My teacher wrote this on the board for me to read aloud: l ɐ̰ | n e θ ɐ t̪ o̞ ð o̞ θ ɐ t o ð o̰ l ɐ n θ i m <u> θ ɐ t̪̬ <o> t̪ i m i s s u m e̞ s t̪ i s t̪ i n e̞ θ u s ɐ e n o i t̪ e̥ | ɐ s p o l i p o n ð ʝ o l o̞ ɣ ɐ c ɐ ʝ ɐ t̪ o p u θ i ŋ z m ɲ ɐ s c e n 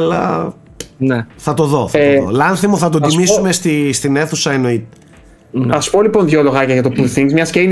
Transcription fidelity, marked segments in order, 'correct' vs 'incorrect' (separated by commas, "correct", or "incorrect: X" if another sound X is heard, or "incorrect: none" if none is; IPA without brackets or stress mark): incorrect: o, correct